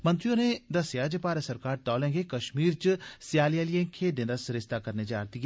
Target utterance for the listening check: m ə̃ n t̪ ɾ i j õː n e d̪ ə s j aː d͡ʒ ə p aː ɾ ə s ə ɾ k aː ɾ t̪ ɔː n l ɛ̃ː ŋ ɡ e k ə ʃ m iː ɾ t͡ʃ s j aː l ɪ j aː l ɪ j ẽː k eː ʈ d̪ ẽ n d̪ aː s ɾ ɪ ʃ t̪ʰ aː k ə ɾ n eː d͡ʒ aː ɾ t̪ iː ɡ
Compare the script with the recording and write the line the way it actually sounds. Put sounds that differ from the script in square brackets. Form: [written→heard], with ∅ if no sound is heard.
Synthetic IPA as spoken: m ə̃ n t̪ ɾ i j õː n e d̪ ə s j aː d͡ʒ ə p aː ɾ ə s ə ɾ k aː ɾ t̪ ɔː [n→∅] l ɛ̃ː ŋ ɡ e k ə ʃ m iː ɾ t͡ʃ s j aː l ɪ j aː l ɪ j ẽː [k→kʰ] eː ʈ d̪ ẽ n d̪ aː s ɾ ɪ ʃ [t̪ʰ→t̪] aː k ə ɾ n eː d͡ʒ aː ɾ t̪ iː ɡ

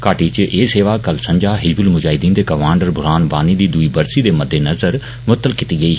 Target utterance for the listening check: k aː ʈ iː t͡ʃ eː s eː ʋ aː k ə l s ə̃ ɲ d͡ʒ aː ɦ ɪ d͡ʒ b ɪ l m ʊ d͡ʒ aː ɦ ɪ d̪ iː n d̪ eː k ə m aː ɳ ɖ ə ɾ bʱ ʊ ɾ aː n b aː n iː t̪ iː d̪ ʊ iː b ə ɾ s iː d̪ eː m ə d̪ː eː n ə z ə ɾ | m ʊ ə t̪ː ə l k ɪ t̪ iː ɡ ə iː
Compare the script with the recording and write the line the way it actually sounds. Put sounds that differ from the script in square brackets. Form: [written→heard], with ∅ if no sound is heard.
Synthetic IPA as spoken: k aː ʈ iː t͡ʃ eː s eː ʋ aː k ə l s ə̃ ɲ d͡ʒ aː ɦ ɪ d͡ʒ b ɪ l m ʊ d͡ʒ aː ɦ ɪ d̪ iː n d̪ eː k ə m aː ɳ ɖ ə ɾ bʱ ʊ ɾ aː n b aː n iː [t̪→d̪] iː d̪ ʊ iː b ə ɾ s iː d̪ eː m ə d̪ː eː n ə z ə ɾ | m ʊ ə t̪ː ə l k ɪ t̪ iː ɡ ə iː

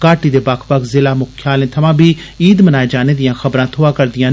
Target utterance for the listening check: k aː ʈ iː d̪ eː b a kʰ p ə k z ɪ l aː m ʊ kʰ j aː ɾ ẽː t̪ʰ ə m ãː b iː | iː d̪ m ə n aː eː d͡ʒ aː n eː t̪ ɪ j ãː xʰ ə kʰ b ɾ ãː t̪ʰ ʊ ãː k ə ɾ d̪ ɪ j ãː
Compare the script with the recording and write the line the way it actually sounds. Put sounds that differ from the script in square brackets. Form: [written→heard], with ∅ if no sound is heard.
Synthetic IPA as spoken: k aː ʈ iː d̪ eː b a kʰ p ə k z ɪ l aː m ʊ kʰ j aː [ɾ→l] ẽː t̪ʰ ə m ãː b iː | iː d̪ m ə n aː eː d͡ʒ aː n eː [t̪→d̪] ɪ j ãː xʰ ə [kʰ→∅] b ɾ ãː t̪ʰ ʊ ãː k ə ɾ d̪ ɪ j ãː

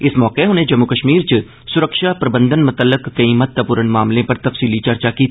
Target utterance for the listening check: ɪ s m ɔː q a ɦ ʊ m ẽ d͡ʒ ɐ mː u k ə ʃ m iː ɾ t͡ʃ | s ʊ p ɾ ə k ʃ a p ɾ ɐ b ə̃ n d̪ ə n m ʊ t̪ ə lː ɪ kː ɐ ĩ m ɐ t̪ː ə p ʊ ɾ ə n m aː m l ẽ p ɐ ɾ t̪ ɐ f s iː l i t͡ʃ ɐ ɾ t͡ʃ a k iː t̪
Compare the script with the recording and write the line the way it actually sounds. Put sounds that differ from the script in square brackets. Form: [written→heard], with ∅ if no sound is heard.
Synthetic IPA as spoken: ɪ s m ɔː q [a→e] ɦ ʊ [m→n] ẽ d͡ʒ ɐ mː u k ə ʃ m iː ɾ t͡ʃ | s ʊ [p→∅] ɾ ə k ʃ a p ɾ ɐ b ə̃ n d̪ ə n m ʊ t̪ ə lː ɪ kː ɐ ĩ m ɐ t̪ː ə p ʊ ɾ ə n m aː m l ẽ p ɐ ɾ t̪ ɐ f s iː l i t͡ʃ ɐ ɾ t͡ʃ a k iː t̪

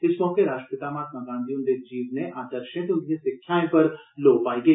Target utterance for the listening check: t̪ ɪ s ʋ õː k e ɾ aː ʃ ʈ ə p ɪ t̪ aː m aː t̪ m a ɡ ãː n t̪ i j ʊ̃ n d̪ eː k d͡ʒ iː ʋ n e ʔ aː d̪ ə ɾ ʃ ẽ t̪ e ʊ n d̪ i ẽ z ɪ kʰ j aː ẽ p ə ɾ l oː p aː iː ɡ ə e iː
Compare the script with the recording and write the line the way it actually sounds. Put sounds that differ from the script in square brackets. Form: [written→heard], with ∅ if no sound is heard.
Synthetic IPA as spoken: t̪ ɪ s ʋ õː k e ɾ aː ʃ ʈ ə p ɪ t̪ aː m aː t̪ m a ɡ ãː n [t̪→d̪] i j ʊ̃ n d̪ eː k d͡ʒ iː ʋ n e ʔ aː d̪ ə ɾ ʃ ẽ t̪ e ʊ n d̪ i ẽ [z→s] ɪ kʰ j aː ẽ p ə ɾ l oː p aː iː ɡ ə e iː

